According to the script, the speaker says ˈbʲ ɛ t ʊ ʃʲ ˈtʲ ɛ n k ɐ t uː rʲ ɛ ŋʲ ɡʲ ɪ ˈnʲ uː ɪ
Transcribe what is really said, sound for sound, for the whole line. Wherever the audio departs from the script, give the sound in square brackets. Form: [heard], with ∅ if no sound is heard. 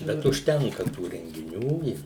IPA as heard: ˈbʲ ɛ t ʊ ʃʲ ˈtʲ ɛ [ŋ] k ɐ t uː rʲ ɛ ŋʲ ɡʲ ɪ ˈnʲ uː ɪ